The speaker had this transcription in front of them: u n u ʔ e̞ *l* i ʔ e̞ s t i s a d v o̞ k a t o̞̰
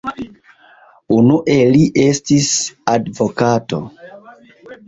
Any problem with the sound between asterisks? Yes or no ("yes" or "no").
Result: no